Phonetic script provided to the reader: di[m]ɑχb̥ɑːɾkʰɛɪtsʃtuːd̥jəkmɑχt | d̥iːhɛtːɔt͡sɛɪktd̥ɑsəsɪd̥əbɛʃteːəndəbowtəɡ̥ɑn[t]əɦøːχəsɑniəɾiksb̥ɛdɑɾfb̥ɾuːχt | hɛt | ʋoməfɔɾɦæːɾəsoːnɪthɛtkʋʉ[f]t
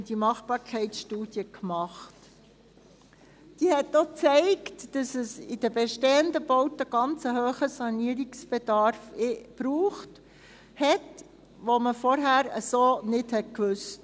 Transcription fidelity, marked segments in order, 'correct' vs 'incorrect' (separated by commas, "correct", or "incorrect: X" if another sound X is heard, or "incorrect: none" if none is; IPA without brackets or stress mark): correct, incorrect: t͡s, incorrect: s